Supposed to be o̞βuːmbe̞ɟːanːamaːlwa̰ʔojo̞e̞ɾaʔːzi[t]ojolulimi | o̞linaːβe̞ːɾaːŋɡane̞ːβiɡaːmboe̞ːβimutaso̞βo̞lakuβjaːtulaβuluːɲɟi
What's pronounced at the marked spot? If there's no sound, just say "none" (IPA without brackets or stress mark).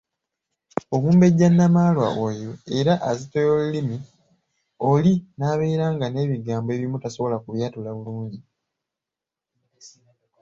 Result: t